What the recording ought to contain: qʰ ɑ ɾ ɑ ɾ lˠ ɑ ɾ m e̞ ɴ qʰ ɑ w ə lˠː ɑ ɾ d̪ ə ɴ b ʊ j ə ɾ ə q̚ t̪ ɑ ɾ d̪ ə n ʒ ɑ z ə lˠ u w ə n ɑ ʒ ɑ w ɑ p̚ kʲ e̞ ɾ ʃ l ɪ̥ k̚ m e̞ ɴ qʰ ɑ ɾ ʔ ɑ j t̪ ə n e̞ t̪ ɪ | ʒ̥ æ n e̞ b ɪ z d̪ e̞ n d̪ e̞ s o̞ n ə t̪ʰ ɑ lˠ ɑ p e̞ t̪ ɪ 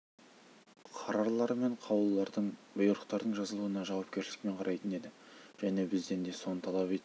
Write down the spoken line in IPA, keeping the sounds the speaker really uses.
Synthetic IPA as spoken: qʰ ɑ ɾ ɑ ɾ lˠ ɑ ɾ m e̞ ɴ qʰ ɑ w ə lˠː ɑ ɾ d̪ ə ɴ b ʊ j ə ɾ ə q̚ t̪ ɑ ɾ d̪ ə ɴ ʒ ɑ z ə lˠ u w ə n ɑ ʒ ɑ w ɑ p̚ kʲ e̞ ɾ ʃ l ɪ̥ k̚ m e̞ ɴ qʰ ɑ ɾ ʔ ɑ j t̪ ə n e̞ d̪ ɪ | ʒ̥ æ n e̞ b ɪ z d̪ e̞ n d̪ e̞ s o̞ n ə t̪ʰ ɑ lˠ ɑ p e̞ t̪ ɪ

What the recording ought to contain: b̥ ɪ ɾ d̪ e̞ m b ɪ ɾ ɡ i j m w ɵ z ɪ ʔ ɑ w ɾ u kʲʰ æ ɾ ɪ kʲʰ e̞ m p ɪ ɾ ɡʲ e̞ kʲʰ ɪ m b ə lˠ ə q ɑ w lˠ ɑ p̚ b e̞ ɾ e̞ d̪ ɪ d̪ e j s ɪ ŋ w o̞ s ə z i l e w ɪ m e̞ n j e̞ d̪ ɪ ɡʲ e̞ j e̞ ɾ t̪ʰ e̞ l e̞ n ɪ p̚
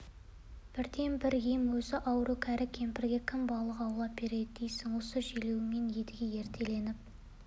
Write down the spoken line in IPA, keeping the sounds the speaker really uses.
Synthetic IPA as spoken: b̥ ɪ ɾ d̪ e̞ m b ɪ ɾ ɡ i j m w ɵ z ɪ ʔ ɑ w ɾ u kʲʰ æ ɾ ɪ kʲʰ e̞ m p ɪ ɾ ɡʲ e̞ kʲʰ ɪ m b ɑ lˠ ə q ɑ w lˠ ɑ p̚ b e̞ ɾ e̞ d̪ ɪ d̪ e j s ɪ ŋ w o̞ s ə ʒ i l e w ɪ m e̞ n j e̞ d̪ ɪ ɡʲ e̞ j e̞ ɾ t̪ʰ e̞ l e̞ n ɪ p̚

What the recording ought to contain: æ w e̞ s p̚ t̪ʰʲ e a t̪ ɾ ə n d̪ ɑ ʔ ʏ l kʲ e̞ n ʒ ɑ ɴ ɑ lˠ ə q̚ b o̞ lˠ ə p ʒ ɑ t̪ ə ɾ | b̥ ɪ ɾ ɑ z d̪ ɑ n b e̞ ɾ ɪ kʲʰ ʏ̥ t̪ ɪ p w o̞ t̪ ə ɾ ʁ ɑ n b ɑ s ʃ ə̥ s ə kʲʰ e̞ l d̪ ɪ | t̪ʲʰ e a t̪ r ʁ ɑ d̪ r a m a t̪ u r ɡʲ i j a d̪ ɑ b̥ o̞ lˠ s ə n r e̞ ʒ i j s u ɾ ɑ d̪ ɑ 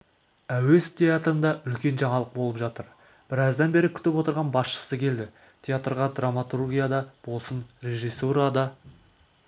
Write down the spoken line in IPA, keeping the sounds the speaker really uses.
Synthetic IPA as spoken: æ w e̞ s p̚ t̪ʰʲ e a t̪ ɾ ə n d̪ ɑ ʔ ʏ l kʲ e̞ n ʒ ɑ ɴ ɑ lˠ ə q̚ b o̞ lˠ ə p ʒ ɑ t̪ ə ɾ | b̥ ɪ ɾ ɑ z d̪ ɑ n b e̞ ɾ ɪ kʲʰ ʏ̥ t̪ ɪ p w o̞ t̪ ə ɾ ʁ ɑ n b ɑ s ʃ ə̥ s ə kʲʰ e̞ l d̪ ɪ | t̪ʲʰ e a t̪ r ʁ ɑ d̪ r a m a t̪ u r ɡʲ i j a d̪ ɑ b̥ o̞ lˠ s ə n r e̞ ʒ i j s u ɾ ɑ d̪ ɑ

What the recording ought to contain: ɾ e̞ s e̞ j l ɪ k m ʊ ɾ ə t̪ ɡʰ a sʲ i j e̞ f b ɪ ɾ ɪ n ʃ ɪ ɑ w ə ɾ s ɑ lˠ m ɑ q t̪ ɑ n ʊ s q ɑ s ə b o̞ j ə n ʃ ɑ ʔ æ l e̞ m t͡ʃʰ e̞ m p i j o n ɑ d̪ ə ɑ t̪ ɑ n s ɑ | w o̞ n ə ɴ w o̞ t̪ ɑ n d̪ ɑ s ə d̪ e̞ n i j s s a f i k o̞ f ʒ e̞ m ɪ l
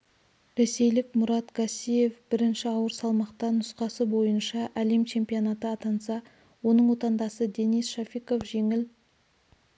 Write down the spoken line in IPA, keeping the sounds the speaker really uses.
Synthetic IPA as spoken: ɾ e̞ s e̞ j l ɪ k m ʊ ɾ ɑ t̪ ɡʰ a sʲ i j e̞ f b ɪ ɾ ɪ n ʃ ɪ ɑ w ə ɾ s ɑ lˠ m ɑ q t̪ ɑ n ʊ s q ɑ s ə b o̞ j ə n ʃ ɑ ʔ æ l e̞ m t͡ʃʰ e̞ m p i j o n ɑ t̪ ə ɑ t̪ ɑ n s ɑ | w o̞ n ə ɴ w o̞ t̪ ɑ n d̪ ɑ s ə d̪ e̞ n i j s ʃ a f i k o̞ f ʒ e̞ ŋ ɪ l

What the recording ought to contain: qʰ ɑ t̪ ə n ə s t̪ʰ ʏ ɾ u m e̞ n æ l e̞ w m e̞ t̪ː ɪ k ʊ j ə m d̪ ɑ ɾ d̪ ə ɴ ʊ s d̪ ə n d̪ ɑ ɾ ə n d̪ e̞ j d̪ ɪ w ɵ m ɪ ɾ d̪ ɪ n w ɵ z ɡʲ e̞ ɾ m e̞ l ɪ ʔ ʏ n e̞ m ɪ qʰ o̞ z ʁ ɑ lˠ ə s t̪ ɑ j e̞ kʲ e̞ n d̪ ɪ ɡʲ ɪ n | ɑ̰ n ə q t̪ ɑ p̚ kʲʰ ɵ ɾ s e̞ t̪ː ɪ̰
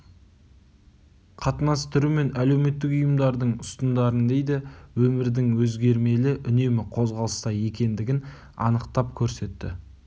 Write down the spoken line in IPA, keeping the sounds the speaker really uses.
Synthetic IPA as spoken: qʰ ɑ t̪ ə n ɑ s t̪ʰ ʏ ɾ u m e̞ n æ l e̞ w m e̞ t̪ː ɪ k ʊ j ə m d̪ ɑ ɾ d̪ ə ɴ ʊ s t̪ ə n d̪ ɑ ɾ ə n d̪ e̞ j d̪ ɪ w ɵ m ɪ ɾ d̪ ɪ ŋ w ɵ z ɡʲ e̞ ɾ m e̞ l ɪ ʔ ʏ n e̞ m ɪ qʰ o̞ z ʁ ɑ lˠ ə s t̪ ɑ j e̞ kʲ e̞ n d̪ ɪ ɡʲ ɪ n | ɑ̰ n ə q t̪ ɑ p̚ kʲʰ ɵ ɾ s e̞ t̪ː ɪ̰

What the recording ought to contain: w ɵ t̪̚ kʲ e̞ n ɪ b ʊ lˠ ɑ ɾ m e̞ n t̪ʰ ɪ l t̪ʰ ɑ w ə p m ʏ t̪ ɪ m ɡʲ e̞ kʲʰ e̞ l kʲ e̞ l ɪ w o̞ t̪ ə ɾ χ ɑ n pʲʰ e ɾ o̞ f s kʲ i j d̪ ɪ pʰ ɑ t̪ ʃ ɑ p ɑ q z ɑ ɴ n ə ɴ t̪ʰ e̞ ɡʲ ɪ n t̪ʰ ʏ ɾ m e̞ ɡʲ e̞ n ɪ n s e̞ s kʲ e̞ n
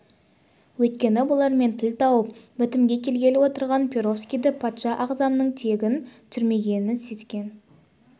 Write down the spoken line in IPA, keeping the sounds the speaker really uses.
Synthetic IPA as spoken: w ɵ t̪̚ kʲ e̞ n ɪ b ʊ lˠ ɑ ɾ m e̞ n t̪ʰ ɪ l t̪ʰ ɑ w ə p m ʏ t̪ ɪ m ɡʲ e̞ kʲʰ e̞ l ɡʲ e̞ l ɪ w o̞ t̪ ə ɾ ʁ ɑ n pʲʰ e ɾ o̞ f s kʲ i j d̪ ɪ pʰ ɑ t̪ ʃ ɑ ʔ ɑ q z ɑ m n ə ɴ t̪ʰ e̞ ɡʲ ɪ n t̪ʰ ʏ ɾ m e̞ ɡʲ e̞ n ɪ n s e̞ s kʲ e̞ n

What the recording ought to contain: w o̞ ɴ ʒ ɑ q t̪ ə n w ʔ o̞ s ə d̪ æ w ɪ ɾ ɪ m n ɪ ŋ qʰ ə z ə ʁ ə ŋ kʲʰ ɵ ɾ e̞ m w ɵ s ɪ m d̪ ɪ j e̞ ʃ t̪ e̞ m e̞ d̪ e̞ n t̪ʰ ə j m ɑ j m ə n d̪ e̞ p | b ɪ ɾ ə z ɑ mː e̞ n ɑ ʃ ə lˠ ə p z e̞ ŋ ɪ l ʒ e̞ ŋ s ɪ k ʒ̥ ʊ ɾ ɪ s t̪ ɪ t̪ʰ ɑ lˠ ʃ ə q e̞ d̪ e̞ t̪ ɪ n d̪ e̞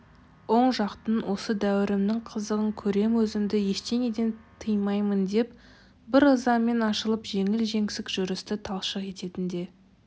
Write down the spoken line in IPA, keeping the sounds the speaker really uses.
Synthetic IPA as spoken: w o̞ ɴ ʒ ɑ q t̪ ə n w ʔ o̞ s ə d̪ æ w ɪ ɾ ɪ m n ɪ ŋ qʰ ə z ə ʁ ə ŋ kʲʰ ɵ ɾ e̞ m w ɵ z ɪ m d̪ ɪ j e̞ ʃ t̪ e̞ ŋ e̞ d̪ e̞ n t̪ʰ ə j m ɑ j m ə n d̪ e̞ p | b ɪ ɾ ə z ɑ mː e̞ n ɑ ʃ ə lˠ ə p ʒ e̞ ŋ ɪ l ʒ e̞ ŋ s ɪ k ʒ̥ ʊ ɾ ɪ s t̪ ɪ t̪ʰ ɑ lˠ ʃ ə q e̞ t̪ e̞ t̪ ɪ n d̪ e̞

